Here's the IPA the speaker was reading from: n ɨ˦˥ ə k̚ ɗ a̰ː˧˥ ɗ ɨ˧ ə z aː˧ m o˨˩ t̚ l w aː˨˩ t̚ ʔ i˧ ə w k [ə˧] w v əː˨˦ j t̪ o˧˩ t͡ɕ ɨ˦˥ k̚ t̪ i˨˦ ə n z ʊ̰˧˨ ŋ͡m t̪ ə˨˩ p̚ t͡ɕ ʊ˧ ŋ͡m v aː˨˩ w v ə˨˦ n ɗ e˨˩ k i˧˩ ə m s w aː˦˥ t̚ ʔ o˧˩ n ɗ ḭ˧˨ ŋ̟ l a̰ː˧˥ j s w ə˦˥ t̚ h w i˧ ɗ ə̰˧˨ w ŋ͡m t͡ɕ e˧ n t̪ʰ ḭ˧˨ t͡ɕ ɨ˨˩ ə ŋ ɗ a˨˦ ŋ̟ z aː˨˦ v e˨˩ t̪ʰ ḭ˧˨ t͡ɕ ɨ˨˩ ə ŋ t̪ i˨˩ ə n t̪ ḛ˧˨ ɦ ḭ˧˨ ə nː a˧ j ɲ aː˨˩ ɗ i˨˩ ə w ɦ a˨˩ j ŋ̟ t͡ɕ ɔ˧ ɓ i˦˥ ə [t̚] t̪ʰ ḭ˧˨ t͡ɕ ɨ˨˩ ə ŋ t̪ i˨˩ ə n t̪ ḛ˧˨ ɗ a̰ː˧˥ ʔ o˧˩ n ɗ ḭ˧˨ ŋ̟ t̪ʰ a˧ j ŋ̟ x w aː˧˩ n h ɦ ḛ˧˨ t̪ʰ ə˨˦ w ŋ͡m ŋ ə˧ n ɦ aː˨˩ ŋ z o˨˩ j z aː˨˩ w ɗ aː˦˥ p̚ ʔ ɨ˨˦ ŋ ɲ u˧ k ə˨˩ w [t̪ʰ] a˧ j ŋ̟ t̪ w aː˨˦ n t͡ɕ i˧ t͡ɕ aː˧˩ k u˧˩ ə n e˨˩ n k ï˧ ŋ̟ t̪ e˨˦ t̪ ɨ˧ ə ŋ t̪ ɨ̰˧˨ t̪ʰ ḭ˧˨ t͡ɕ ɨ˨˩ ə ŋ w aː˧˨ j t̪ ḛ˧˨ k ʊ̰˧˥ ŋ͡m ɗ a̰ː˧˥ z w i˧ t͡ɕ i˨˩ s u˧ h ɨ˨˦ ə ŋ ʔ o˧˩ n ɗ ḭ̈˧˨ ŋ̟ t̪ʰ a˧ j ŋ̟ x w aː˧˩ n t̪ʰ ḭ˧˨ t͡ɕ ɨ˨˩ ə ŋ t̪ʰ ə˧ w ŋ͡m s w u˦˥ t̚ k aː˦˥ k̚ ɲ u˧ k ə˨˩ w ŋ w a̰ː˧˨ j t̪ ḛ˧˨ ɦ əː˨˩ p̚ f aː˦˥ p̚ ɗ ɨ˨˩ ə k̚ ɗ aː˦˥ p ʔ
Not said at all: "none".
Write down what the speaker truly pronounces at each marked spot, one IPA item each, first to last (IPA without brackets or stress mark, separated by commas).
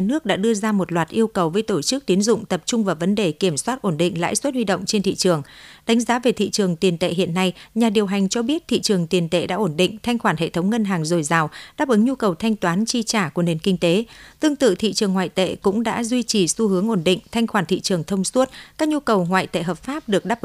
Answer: ə˨˩, t̚, t̪ʰ